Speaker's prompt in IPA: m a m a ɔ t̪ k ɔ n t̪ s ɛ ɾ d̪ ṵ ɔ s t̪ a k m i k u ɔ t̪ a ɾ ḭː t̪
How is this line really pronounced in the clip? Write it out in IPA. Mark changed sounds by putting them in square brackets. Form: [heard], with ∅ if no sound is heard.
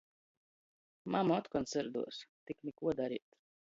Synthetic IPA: m a m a ɔ t̪ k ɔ n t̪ s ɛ ɾ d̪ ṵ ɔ s t̪ [i] k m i k u ɔ [d̪] a ɾ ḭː t̪